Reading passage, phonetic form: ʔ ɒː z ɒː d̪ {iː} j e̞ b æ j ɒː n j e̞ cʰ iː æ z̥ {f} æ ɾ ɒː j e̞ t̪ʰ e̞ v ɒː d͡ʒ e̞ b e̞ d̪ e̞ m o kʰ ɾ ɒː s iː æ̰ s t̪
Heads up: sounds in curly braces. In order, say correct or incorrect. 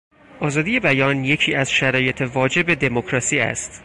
incorrect: i, incorrect: ʃ

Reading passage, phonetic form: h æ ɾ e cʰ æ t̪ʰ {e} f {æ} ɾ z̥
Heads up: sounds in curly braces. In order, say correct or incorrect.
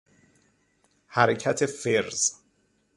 correct, incorrect: e

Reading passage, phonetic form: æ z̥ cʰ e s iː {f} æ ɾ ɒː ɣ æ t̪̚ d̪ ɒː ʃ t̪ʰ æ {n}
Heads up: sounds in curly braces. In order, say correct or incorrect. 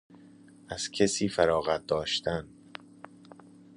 correct, correct

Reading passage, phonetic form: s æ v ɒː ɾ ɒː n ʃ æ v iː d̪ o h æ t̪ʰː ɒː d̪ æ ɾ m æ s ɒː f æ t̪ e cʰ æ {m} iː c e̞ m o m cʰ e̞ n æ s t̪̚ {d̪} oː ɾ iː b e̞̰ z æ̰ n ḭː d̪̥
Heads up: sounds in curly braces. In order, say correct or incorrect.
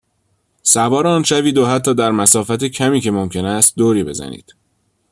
correct, correct

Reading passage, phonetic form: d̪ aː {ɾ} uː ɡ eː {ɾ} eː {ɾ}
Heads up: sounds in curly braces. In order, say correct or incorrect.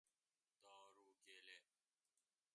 correct, incorrect: l, incorrect: none

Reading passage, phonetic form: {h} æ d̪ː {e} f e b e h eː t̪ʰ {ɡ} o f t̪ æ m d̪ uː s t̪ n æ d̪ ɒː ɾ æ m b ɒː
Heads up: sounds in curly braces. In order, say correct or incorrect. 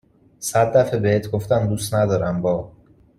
incorrect: s, incorrect: æ, correct

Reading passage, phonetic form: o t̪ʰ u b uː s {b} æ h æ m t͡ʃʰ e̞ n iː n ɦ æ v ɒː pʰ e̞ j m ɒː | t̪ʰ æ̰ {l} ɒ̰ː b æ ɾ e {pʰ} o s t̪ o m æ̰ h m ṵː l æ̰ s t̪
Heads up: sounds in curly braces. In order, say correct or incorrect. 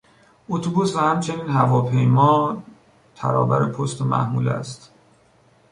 incorrect: v, incorrect: ɾ, correct

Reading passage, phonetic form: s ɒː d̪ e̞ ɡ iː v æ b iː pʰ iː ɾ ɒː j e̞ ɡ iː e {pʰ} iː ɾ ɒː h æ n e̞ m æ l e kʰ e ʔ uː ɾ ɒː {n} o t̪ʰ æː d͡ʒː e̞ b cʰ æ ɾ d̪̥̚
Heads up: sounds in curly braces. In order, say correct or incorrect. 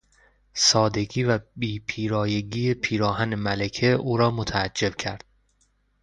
correct, incorrect: m

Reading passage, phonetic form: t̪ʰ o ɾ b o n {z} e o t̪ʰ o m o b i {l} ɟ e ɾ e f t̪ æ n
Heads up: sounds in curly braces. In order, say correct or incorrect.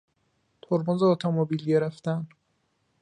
correct, correct

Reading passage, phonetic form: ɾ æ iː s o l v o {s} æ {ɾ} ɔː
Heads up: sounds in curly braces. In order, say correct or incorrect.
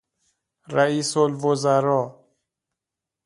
incorrect: z, correct

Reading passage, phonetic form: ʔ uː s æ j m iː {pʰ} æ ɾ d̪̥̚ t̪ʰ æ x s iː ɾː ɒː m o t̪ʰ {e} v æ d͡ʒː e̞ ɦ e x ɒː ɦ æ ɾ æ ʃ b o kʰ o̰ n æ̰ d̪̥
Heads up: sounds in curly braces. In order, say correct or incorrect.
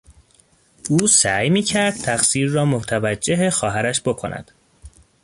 incorrect: cʰ, incorrect: æ

